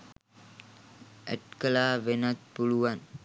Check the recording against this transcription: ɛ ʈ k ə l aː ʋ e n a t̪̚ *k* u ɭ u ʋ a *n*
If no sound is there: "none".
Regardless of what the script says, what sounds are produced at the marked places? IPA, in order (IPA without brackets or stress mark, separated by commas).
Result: p, n